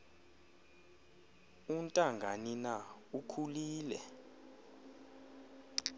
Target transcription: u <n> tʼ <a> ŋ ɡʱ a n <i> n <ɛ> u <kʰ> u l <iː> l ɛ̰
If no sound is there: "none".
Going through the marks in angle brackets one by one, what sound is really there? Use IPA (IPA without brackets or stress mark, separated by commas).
n, a, i, a, kʰ, iː